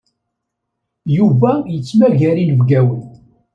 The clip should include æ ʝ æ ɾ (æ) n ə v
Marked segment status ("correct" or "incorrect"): incorrect